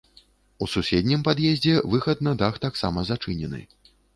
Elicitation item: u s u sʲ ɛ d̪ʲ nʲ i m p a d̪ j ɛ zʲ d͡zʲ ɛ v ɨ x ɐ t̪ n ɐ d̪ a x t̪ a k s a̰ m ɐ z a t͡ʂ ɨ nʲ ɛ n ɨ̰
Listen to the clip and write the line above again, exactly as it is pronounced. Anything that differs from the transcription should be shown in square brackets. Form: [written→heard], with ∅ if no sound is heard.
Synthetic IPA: u s u sʲ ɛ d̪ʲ nʲ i m p a d̪ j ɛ zʲ d͡zʲ ɛ v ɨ x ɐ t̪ n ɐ d̪ a x t̪ a k s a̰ m ɐ z a t͡ʂ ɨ nʲ ɛ n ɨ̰